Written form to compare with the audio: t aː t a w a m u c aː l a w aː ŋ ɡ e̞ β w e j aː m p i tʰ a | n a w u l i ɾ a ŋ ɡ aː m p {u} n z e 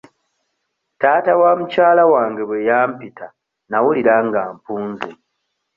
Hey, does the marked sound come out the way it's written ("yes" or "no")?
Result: no